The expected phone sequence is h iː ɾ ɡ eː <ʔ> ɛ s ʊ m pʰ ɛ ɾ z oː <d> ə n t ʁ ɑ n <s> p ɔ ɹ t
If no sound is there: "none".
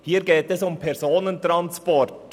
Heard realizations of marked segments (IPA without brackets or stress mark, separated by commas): t, n, s